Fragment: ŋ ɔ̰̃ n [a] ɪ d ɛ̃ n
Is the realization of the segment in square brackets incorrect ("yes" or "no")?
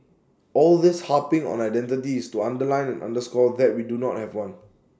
no